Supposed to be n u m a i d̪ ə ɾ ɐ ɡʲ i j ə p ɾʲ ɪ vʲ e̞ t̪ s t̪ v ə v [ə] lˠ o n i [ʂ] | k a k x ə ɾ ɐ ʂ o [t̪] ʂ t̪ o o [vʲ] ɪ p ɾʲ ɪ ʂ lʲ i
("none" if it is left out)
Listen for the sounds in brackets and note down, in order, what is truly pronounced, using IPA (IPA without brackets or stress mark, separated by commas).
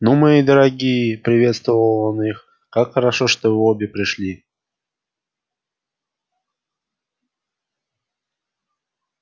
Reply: ə, x, none, bʲ